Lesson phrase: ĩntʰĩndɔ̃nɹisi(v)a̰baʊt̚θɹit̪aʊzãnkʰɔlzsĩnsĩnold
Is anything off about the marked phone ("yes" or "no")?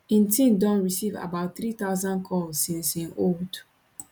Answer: no